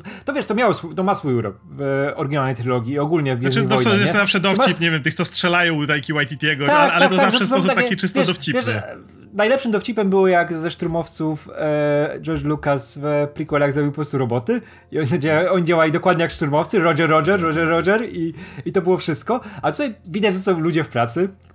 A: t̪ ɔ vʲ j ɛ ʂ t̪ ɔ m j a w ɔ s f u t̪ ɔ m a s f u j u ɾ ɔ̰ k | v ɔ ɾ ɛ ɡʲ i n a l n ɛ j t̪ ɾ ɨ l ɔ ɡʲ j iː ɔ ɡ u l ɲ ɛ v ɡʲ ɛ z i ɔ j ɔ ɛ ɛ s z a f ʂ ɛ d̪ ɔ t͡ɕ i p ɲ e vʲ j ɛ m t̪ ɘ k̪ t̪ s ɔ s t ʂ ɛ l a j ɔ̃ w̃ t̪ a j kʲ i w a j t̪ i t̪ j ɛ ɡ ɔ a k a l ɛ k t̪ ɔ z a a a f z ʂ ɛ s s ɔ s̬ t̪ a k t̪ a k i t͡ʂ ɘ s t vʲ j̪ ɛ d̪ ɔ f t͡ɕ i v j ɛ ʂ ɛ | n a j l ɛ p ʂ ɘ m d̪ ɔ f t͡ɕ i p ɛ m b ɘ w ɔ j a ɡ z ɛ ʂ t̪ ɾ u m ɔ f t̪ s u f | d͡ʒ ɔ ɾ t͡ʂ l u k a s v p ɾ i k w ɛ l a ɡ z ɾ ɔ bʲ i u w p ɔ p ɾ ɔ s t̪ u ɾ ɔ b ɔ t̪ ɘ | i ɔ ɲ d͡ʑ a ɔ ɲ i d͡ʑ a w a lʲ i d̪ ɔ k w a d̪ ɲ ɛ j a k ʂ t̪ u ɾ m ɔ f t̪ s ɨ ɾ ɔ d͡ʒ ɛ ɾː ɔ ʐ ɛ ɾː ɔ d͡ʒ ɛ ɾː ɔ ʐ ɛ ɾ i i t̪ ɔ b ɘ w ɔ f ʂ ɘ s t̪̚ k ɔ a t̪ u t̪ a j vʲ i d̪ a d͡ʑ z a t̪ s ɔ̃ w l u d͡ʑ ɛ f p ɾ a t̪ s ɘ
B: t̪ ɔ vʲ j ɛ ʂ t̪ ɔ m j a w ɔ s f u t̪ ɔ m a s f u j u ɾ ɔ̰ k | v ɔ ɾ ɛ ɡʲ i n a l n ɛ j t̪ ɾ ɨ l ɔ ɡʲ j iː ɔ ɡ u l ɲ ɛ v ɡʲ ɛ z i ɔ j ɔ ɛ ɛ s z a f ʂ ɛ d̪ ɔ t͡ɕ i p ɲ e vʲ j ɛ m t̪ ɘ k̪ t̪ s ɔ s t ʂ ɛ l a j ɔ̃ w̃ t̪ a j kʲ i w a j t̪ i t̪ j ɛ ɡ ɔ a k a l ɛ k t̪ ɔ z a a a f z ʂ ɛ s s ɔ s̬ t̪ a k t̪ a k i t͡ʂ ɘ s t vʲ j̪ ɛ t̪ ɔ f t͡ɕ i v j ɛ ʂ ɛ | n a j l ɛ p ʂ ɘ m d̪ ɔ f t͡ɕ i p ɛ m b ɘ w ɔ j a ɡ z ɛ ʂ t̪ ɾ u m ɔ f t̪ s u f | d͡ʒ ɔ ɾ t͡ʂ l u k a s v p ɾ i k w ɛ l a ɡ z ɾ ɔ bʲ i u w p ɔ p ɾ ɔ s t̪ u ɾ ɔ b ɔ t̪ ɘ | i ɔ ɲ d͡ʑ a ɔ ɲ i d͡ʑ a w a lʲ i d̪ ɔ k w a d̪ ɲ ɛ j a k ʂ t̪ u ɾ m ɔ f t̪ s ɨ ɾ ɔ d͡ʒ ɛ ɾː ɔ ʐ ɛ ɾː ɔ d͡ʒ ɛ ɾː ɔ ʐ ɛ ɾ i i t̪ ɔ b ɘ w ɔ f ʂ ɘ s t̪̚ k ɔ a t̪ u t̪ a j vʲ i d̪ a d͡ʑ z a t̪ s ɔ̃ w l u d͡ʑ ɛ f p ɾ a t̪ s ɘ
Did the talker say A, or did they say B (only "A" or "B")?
A